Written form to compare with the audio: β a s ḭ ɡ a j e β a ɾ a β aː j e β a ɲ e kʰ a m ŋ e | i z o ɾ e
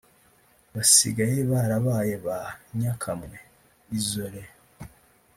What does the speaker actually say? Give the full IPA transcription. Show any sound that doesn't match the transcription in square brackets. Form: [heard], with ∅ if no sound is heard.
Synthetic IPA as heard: β a s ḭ ɡ a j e β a ɾ a β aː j e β a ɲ [a] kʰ a m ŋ e | i z o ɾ e